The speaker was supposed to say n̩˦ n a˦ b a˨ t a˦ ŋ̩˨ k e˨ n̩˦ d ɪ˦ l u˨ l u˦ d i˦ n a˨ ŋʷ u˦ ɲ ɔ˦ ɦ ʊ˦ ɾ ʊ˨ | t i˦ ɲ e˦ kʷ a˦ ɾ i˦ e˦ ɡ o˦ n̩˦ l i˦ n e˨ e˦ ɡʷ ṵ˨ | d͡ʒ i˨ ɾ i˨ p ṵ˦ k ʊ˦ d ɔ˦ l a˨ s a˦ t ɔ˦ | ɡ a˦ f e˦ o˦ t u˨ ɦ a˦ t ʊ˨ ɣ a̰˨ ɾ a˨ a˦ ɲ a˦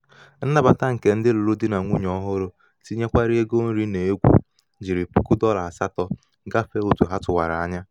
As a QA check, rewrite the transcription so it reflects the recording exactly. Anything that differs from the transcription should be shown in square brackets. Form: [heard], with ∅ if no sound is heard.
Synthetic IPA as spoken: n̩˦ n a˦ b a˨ t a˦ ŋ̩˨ k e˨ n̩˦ d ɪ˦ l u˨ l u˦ d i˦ n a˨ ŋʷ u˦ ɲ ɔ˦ ɦ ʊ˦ ɾ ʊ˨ | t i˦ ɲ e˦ kʷ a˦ ɾ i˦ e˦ ɡ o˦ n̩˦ [ɾ] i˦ n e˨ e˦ ɡʷ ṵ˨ | d͡ʒ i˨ ɾ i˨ p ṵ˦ k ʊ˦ d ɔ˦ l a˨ s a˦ t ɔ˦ | ɡ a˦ f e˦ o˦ t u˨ ɦ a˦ t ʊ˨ [w] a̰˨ ɾ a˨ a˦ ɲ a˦